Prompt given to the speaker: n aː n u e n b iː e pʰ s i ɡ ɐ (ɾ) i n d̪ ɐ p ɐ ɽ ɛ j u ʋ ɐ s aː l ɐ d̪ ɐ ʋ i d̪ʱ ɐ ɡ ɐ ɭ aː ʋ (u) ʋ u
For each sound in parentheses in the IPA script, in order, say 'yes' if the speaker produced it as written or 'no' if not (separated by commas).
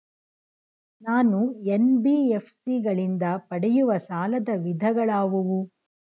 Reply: no, yes